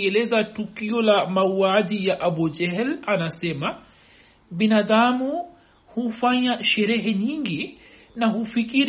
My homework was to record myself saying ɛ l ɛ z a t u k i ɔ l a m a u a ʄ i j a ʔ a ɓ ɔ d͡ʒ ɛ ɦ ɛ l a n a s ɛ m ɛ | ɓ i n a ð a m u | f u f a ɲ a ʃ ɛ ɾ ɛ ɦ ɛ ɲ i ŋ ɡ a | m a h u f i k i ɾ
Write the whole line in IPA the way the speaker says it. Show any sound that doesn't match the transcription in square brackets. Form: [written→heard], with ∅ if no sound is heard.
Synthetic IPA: ɛ l ɛ z a t u k i ɔ l a m a u a ʄ i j a ʔ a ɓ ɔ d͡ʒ ɛ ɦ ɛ l a n a s ɛ m [ɛ→a] | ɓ i n a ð a m u | [f→h] u f a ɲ a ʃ ɛ ɾ ɛ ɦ ɛ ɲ i ŋ ɡ [a→i] | [m→n] a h u f i k i ɾ